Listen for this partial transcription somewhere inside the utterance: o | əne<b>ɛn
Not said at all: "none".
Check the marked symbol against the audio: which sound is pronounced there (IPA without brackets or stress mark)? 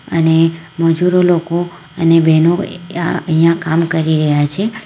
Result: b